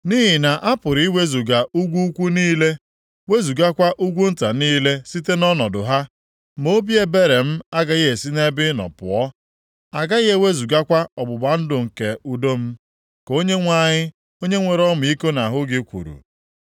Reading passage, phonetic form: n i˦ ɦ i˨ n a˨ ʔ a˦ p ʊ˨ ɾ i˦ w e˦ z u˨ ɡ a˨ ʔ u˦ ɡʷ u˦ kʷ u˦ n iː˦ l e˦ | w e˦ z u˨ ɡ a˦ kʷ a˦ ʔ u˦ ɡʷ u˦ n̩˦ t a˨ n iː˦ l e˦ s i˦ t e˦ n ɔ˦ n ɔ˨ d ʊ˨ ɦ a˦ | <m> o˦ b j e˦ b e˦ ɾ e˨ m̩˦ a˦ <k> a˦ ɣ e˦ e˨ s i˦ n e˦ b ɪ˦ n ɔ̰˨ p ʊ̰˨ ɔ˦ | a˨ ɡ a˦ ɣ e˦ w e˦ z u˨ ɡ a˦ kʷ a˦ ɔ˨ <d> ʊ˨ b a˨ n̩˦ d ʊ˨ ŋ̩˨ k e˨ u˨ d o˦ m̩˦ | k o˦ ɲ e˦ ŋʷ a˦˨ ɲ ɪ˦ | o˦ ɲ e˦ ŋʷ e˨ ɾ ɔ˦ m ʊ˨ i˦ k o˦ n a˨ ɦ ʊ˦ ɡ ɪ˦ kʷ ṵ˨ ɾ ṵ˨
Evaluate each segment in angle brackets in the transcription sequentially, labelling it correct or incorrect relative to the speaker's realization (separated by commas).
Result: correct, incorrect, incorrect